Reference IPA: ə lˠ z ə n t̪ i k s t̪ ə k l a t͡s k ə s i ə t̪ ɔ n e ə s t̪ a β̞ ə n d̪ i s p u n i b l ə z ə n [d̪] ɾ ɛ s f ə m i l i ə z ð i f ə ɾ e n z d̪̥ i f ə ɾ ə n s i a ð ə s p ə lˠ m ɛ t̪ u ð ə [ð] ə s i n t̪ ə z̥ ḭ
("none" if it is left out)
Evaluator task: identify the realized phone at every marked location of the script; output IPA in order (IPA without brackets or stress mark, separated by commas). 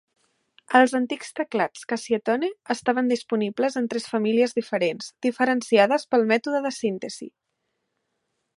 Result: t̪, ð